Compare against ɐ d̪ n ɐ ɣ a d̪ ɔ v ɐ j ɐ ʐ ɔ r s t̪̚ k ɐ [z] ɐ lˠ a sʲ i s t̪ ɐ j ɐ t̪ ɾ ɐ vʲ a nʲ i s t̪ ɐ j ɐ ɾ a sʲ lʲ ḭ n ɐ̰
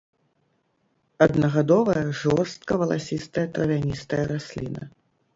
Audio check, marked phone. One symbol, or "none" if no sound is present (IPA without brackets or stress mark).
v